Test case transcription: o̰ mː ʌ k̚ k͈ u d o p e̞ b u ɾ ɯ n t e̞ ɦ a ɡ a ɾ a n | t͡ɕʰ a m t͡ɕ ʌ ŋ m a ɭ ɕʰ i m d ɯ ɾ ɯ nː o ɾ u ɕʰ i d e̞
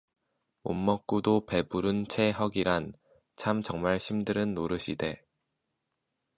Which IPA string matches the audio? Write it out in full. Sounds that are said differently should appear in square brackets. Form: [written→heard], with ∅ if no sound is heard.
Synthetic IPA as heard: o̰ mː ʌ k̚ k͈ u d o p e̞ b u ɾ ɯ n [t→t͡ɕʰ] e̞ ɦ [a→ʌ] ɡ [a→i] ɾ a n | t͡ɕʰ a m t͡ɕ ʌ ŋ m a ɭ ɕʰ i m d ɯ ɾ ɯ nː o ɾ [u→ɯ] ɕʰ i d e̞